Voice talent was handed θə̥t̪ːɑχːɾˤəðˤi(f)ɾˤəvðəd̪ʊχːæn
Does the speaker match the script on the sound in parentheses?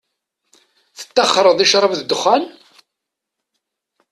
no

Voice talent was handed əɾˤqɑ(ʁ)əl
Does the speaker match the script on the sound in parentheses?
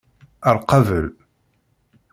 no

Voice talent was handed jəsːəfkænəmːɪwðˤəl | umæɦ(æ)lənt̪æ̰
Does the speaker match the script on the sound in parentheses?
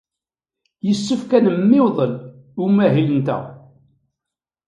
no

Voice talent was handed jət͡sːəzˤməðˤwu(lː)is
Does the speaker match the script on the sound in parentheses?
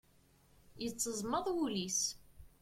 no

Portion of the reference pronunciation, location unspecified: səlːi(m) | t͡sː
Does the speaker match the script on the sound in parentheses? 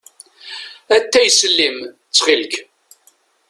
yes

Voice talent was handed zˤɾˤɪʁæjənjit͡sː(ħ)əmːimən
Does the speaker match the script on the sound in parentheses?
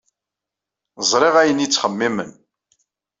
no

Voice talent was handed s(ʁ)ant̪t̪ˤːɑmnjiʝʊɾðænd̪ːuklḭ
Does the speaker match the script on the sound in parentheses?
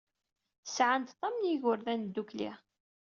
no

